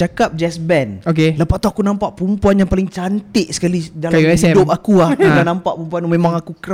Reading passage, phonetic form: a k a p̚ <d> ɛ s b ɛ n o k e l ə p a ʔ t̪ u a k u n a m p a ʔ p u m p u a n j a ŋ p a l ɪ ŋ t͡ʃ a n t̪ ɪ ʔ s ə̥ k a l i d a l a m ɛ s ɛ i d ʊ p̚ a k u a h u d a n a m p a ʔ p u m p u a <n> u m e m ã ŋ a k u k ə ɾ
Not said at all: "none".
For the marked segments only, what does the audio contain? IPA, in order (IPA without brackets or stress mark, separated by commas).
d͡ʒ, n